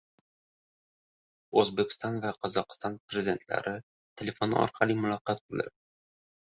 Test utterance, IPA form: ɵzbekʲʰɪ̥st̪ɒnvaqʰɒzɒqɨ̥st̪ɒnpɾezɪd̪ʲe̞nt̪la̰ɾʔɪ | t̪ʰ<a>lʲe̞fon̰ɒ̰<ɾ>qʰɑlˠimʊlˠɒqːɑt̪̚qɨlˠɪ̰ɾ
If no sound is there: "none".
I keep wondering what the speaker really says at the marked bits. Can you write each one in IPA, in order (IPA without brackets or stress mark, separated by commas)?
e, ɾ